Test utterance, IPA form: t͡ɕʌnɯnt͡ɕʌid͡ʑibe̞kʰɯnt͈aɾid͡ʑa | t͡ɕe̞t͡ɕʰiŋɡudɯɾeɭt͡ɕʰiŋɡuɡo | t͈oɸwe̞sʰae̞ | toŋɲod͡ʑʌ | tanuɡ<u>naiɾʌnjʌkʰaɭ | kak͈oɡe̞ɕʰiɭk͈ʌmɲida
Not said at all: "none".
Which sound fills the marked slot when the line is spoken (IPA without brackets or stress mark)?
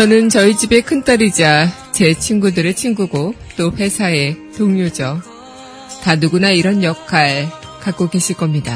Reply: u